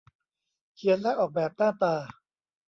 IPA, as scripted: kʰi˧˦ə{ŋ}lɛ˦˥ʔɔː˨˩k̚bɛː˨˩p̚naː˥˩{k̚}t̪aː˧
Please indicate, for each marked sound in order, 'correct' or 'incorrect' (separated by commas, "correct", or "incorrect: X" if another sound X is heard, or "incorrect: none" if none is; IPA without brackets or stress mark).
incorrect: n, incorrect: none